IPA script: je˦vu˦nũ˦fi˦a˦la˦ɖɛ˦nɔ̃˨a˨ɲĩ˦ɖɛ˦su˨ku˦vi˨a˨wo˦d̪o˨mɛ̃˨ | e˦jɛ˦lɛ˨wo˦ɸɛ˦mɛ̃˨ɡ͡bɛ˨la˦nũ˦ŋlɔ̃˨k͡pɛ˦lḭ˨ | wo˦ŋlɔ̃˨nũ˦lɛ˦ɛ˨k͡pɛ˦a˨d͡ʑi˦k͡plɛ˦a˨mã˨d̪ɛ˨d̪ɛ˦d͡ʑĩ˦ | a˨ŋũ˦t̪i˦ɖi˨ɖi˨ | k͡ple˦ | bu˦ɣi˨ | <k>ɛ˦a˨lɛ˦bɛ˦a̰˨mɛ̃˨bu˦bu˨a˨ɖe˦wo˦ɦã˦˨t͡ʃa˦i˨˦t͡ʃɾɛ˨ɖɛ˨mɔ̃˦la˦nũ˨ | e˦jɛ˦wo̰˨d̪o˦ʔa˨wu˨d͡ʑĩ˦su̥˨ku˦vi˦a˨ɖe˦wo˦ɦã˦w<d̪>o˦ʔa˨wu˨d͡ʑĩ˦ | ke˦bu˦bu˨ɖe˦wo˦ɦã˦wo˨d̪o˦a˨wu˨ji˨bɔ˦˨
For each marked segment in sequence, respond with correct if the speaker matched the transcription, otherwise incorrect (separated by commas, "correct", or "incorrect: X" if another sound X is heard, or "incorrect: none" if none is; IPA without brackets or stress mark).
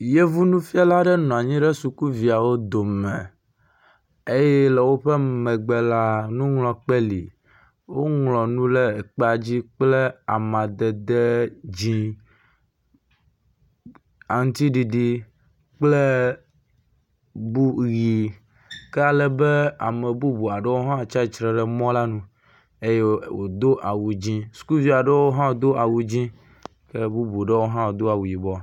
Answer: correct, correct